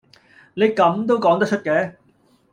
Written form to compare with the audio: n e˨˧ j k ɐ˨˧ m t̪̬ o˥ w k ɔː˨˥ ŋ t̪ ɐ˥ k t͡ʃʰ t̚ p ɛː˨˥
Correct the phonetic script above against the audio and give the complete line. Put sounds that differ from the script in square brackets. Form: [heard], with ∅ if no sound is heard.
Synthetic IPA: n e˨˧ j k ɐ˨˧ m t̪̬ o˥ w k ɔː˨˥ ŋ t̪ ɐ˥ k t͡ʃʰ t̚ [k] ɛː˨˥